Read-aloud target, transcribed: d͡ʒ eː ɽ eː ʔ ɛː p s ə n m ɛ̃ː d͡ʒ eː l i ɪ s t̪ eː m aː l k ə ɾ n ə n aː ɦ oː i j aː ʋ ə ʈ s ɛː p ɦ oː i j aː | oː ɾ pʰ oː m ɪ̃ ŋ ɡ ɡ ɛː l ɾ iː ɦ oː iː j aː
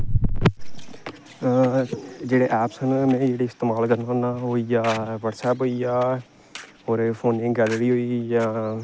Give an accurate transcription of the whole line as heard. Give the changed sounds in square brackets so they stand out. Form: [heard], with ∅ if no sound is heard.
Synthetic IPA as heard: d͡ʒ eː ɽ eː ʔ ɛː p s ə n m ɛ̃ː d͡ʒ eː [ɽ] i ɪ s t̪ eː m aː l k ə ɾ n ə n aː ɦ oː i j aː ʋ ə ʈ s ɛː p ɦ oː i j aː | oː ɾ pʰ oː [n] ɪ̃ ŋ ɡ ɡ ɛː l ɾ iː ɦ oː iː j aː